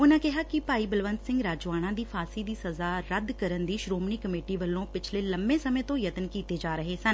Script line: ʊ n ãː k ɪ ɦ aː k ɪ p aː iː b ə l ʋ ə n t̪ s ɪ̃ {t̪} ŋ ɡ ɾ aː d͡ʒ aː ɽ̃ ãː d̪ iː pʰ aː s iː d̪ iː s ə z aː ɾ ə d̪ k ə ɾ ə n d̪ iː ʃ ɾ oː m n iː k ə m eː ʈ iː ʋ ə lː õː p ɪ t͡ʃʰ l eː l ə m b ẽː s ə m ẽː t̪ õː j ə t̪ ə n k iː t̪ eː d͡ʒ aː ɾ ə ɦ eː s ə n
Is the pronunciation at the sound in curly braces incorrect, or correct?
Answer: incorrect: none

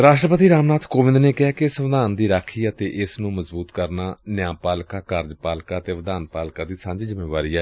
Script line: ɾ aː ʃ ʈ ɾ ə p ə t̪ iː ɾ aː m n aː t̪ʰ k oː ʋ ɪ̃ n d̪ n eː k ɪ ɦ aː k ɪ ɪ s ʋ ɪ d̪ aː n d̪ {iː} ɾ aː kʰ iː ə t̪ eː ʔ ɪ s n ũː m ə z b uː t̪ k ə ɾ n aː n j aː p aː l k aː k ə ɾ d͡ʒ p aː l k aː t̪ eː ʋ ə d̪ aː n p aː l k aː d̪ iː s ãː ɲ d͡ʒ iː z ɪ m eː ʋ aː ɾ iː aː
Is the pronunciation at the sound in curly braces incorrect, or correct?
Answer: correct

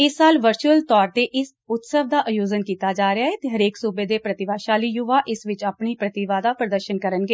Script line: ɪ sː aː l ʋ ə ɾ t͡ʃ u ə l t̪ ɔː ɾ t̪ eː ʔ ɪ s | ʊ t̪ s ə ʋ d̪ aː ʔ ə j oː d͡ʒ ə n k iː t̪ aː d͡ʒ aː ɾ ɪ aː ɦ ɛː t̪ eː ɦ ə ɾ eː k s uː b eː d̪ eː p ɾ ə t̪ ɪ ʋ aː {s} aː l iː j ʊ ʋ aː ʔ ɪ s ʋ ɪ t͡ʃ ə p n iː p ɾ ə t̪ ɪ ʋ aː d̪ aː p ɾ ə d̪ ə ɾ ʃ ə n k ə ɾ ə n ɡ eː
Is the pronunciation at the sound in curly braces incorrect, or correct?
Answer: incorrect: ʃ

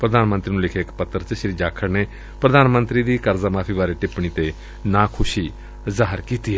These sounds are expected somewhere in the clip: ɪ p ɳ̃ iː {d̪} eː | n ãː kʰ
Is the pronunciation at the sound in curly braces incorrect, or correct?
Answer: incorrect: t̪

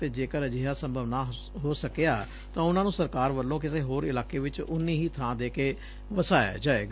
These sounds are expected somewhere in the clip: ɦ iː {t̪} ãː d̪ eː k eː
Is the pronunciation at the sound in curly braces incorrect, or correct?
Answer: incorrect: t̪ʰ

